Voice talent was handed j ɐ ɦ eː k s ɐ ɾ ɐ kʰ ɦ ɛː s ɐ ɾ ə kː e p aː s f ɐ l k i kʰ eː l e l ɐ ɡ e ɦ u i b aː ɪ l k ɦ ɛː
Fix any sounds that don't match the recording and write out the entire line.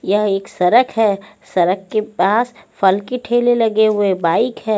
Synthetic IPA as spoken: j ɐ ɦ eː k s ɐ ɾ ə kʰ ɦ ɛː s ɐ ɾ ə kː e p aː s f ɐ l k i ʈʰ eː l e l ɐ ɡ e ɦ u e b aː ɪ k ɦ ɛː

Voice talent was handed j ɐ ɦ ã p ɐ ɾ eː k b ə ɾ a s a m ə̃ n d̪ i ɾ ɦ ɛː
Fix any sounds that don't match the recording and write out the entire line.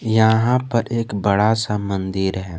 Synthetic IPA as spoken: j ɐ ɦ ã p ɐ ɾ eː k b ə ɽ a s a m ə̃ n d̪ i ɾ ɦ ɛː

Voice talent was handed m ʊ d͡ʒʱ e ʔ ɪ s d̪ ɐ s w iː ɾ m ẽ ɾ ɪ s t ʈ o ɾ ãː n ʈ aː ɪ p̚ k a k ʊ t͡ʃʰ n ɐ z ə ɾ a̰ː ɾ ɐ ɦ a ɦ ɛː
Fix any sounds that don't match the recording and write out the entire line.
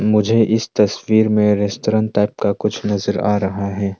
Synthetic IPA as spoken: m ʊ d͡ʒʱ e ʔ ɪ s t̪ ɐ s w iː ɾ m ẽ ɾ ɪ s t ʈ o ɾ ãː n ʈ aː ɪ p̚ k a k ʊ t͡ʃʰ n ɐ z ə ɾ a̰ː ɾ ɐ ɦ a ɦ ɛː

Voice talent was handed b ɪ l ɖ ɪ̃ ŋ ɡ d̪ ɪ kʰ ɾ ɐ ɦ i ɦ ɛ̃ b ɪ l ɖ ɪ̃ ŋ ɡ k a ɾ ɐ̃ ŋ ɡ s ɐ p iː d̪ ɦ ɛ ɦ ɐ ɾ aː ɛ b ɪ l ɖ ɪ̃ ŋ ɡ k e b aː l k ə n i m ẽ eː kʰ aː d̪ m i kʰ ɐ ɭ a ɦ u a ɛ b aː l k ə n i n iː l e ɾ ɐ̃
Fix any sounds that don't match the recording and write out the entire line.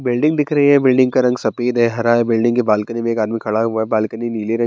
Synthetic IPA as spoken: b ɪ l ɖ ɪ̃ ŋ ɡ d̪ ɪ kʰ ɾ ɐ ɦ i ɦ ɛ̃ b ɪ l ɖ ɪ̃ ŋ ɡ k a ɾ ɐ̃ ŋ ɡ s ɐ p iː d̪ ɦ ɛ ɦ ɐ ɾ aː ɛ b ɪ l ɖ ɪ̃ ŋ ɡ k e b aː l k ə n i m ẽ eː k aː d̪ m i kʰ ɐ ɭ a ɦ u a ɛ b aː l k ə n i n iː l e ɾ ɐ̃

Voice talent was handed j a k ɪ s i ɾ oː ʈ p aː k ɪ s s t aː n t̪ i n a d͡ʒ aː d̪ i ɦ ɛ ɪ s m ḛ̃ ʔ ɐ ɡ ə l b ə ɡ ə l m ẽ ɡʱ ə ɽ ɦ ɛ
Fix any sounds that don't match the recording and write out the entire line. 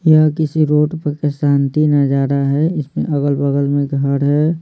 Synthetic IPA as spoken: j a k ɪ s i ɾ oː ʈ p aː k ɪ s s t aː n t̪ i n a d͡ʒ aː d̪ a ɦ ɛ ɪ s m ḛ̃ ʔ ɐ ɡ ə l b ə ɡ ə l m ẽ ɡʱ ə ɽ ɦ ɛ

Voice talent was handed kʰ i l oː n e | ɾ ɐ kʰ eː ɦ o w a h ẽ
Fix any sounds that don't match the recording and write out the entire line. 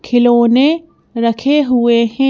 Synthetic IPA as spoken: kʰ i l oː n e | ɾ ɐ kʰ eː ɦ u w e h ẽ

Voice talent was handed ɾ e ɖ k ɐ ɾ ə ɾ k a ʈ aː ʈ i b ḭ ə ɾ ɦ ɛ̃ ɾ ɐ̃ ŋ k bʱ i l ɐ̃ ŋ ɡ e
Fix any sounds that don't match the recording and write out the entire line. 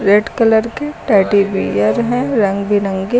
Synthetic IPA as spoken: ɾ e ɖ k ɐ l ə ɾ k e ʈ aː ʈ i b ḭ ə ɾ ɦ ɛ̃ ɾ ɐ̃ ŋ ɡ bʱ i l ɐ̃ ŋ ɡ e

